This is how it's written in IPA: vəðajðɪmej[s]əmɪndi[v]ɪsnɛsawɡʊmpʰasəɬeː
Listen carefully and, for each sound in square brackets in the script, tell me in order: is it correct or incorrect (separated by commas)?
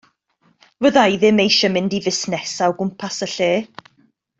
incorrect, correct